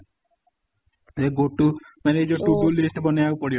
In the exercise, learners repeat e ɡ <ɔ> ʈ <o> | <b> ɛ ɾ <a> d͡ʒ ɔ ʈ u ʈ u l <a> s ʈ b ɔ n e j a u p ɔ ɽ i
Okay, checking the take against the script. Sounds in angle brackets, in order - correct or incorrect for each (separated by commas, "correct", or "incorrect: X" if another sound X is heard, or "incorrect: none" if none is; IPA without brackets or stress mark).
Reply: incorrect: o, incorrect: u, incorrect: m, incorrect: e, incorrect: i